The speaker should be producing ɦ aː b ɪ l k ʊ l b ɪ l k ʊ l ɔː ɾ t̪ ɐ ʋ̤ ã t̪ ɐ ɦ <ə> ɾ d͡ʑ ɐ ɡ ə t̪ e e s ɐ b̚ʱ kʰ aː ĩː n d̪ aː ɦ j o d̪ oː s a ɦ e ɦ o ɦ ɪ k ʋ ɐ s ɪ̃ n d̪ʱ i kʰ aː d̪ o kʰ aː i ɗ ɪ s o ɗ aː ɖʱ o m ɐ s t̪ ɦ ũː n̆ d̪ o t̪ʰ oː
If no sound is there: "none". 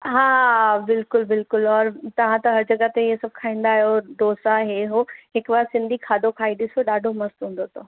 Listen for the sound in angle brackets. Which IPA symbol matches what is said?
ɐ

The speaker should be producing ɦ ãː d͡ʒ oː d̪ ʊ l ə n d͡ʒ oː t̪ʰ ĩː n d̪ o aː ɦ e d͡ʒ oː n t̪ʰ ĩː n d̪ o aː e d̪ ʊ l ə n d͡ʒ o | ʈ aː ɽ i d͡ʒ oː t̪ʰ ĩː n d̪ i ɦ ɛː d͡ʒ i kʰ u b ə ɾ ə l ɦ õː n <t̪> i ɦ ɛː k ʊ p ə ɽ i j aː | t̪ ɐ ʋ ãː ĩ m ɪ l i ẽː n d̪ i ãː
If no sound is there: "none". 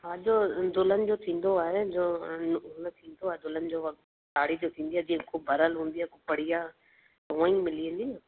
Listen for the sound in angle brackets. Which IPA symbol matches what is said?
d̪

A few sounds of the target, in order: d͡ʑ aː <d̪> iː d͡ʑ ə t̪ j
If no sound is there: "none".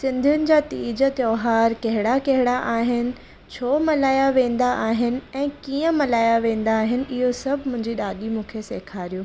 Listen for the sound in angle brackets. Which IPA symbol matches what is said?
t̪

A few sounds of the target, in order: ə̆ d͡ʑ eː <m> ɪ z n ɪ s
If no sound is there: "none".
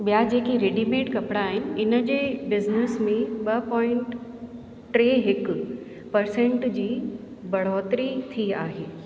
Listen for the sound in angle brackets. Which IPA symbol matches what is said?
b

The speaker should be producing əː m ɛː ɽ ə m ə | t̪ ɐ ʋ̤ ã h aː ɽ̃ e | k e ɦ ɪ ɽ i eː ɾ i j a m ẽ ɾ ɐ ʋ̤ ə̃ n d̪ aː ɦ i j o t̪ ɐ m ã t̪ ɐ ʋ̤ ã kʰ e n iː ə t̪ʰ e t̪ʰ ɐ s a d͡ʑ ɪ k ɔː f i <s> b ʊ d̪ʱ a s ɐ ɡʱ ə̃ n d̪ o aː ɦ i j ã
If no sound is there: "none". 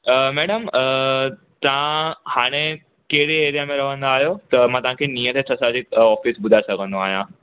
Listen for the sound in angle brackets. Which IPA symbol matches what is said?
s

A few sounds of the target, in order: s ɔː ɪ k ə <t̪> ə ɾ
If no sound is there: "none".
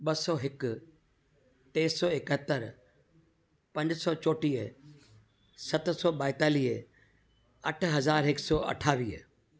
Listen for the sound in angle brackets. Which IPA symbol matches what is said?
t̪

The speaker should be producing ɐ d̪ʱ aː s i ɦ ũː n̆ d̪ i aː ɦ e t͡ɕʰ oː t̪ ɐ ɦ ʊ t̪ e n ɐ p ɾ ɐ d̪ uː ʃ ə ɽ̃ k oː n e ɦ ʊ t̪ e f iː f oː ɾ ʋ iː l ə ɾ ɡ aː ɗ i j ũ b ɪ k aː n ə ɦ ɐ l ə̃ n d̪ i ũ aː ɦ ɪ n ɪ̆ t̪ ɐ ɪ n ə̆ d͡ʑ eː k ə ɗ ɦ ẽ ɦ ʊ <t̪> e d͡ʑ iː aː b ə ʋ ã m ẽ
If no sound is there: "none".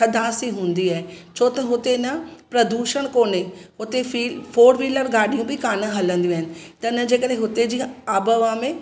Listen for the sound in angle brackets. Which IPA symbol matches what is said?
t̪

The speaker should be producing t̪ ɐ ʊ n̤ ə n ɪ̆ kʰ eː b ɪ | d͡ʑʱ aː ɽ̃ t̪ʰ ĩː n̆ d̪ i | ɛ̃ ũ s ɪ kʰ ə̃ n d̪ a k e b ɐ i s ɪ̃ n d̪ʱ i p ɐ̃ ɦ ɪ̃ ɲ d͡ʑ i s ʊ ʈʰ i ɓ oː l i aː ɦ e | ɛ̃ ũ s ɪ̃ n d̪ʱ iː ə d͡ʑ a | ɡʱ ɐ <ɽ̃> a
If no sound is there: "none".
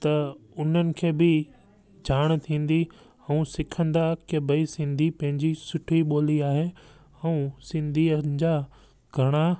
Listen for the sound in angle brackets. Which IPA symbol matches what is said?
ɽ̃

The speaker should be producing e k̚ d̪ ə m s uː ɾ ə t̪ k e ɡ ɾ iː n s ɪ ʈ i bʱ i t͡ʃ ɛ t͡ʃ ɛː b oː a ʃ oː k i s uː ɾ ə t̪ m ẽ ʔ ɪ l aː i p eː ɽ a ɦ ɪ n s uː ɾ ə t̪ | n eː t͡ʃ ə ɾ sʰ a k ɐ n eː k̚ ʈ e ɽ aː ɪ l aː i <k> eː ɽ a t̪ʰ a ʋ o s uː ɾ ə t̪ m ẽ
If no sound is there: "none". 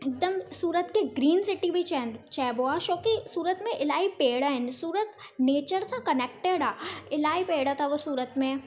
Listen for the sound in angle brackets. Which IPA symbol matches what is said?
p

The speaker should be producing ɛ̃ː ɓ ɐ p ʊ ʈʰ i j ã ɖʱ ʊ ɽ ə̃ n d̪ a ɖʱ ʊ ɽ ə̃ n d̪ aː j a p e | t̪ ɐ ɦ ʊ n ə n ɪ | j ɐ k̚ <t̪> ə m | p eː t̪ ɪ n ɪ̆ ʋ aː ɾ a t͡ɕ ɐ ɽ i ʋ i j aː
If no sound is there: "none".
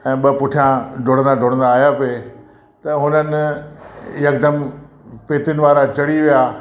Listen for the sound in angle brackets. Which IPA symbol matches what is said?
d̪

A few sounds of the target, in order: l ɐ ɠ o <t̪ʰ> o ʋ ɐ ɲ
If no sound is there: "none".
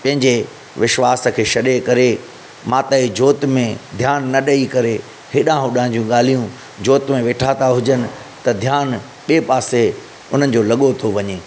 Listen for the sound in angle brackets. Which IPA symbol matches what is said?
t̪ʰ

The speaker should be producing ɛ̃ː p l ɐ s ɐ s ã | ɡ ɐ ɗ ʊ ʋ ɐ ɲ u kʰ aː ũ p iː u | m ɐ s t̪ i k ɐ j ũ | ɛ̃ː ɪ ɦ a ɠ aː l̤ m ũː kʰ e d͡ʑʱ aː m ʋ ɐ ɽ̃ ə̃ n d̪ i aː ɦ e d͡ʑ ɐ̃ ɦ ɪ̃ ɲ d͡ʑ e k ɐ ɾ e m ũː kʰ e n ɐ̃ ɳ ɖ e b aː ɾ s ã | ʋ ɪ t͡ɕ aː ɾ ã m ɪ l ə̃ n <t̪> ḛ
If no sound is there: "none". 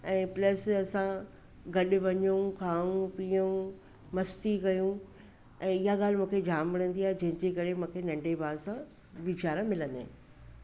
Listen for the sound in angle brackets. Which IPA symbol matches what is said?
d̪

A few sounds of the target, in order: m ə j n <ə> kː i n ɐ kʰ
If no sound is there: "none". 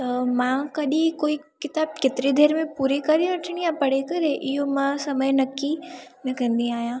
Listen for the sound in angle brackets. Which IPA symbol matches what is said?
ɐ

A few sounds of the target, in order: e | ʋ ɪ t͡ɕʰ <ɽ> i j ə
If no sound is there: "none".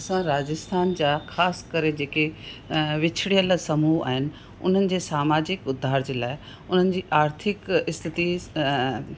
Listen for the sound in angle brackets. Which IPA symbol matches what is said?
ɽ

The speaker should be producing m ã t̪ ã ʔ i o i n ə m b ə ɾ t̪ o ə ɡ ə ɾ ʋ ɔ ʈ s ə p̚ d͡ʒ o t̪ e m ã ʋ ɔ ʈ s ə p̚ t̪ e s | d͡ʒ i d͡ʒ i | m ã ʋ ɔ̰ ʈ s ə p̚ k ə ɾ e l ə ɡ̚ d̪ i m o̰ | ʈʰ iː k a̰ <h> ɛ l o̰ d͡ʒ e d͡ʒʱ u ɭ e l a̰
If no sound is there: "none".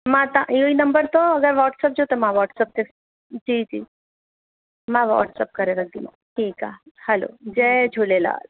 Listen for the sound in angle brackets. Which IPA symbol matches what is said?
h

